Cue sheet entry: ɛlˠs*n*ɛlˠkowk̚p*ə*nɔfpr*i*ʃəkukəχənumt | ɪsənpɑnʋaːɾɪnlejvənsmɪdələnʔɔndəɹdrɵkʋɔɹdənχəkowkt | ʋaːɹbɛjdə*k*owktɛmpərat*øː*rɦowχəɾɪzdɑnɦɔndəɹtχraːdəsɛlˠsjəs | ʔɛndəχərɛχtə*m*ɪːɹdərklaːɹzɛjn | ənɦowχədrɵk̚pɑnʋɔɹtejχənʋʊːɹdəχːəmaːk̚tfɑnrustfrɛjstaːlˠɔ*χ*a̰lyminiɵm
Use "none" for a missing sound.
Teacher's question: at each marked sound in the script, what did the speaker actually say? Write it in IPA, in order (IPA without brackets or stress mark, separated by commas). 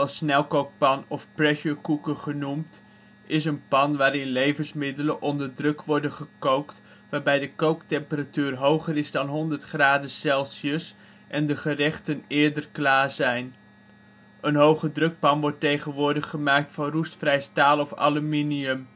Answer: n, ɑ, ɛ, k, yː, n, f